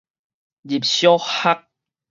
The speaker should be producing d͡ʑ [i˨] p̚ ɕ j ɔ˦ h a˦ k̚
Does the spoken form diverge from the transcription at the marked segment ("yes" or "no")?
no